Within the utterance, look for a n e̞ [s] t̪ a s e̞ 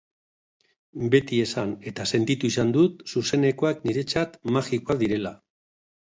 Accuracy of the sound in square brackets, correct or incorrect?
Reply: incorrect